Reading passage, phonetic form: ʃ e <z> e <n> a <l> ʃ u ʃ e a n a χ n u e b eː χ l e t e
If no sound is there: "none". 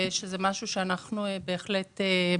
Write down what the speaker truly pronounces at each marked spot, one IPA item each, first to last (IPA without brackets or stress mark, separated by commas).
z, m, none